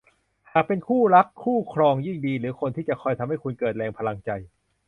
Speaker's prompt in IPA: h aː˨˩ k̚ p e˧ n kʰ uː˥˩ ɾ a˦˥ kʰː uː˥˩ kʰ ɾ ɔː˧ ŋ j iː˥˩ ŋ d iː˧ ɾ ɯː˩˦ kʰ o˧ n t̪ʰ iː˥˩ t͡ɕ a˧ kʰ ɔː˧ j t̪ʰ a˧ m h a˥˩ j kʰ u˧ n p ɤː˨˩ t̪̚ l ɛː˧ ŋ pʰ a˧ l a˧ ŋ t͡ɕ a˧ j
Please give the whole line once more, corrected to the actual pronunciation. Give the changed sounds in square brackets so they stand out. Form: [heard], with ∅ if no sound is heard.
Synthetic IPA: h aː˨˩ k̚ p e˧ n kʰ uː˥˩ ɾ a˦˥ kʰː uː˥˩ kʰ ɾ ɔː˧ ŋ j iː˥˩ ŋ d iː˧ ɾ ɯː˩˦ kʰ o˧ n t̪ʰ iː˥˩ t͡ɕ [a˨˩] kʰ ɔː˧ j t̪ʰ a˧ m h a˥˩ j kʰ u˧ n [k] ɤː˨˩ t̪̚ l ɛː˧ ŋ pʰ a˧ l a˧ ŋ t͡ɕ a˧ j